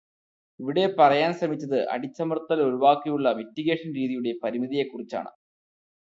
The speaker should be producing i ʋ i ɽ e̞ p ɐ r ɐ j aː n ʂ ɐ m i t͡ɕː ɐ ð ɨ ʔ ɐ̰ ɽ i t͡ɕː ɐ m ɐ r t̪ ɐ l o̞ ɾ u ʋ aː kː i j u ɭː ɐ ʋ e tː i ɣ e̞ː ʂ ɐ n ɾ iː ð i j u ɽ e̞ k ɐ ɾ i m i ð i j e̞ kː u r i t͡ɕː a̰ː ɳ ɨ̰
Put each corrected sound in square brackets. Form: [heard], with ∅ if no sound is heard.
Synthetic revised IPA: i ʋ i ɽ e̞ p ɐ r ɐ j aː n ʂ ɐ m i t͡ɕː ɐ ð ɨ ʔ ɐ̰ ɽ i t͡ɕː ɐ m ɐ r t̪ ɐ l o̞ ɾ u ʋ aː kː i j u ɭː ɐ ʋ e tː i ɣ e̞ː ʂ ɐ n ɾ iː ð i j u ɽ e̞ [p] ɐ ɾ i m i ð i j e̞ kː u r i t͡ɕː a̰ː ɳ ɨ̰